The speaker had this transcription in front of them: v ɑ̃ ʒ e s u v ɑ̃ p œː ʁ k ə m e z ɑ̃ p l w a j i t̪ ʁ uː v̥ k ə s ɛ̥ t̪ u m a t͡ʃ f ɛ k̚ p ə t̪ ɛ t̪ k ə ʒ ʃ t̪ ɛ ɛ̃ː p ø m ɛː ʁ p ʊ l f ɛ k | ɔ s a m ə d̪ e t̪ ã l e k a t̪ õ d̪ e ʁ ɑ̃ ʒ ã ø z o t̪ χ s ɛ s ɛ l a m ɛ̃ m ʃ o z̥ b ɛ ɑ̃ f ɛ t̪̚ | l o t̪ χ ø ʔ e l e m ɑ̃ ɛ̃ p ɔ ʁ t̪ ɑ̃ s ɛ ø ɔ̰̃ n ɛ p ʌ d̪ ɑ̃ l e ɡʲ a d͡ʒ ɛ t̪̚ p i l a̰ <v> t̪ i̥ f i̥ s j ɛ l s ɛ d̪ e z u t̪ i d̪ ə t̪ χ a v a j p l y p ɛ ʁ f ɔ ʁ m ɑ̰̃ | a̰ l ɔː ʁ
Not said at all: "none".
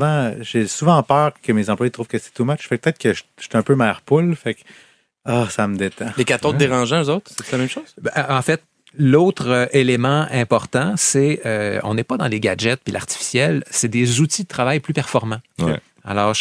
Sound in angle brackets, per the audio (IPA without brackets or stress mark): ʁ